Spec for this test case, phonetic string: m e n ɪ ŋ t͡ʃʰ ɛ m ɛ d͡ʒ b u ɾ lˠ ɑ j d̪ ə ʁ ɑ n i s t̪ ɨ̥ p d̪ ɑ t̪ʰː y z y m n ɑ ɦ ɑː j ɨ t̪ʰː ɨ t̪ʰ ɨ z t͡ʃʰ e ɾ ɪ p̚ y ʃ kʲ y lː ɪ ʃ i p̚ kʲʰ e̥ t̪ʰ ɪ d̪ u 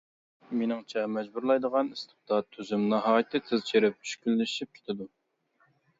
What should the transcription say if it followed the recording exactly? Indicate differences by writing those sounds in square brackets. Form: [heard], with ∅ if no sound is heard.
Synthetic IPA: m e n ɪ ŋ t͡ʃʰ ɛ m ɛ d͡ʒ b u ɾ lˠ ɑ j d̪ ə ʁ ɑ n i s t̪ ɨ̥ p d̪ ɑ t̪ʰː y z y m n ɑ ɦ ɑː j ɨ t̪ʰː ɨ t̪ʰ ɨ z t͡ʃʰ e ɾ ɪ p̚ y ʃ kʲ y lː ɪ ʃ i p̚ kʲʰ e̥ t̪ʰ ɪ d̪ u